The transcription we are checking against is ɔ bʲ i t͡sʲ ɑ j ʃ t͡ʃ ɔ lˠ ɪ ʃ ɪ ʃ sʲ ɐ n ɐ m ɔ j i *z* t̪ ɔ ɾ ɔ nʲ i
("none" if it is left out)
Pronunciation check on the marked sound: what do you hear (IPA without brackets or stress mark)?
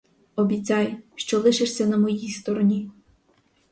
s